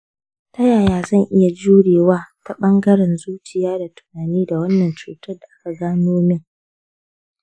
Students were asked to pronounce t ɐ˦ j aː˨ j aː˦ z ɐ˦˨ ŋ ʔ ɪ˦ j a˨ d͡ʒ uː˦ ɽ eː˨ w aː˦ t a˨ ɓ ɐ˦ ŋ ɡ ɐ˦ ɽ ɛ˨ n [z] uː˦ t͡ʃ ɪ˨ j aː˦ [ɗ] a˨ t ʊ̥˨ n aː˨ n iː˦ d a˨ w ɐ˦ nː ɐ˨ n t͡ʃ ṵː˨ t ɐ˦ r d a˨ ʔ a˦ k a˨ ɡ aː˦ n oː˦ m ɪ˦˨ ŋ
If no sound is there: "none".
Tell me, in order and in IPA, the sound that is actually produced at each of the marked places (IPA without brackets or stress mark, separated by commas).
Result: z, d